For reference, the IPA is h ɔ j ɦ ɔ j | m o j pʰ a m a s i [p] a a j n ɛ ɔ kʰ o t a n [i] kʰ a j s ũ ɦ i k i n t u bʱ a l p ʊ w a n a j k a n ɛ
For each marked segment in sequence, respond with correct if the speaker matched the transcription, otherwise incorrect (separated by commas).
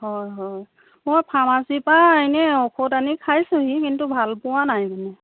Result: correct, correct